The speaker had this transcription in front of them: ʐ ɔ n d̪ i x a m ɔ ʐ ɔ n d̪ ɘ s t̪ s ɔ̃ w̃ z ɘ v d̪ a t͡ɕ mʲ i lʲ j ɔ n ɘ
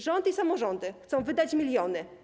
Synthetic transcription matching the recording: ʐ ɔ n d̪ i s a m ɔ ʐ ɔ n d̪ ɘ x t̪ s ɔ̃ w̃ v ɘ d̪ a t͡ɕ mʲ i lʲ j ɔ n ɘ